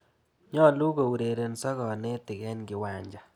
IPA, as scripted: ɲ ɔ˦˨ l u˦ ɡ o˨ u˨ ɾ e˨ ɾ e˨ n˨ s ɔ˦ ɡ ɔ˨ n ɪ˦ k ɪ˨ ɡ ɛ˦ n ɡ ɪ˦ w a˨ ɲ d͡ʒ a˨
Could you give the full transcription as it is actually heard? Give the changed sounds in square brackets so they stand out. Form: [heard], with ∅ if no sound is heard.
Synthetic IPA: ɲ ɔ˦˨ l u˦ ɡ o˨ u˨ ɾ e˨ ɾ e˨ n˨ s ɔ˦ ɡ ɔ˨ n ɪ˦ [t] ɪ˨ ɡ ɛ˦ n ɡ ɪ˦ w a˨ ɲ d͡ʒ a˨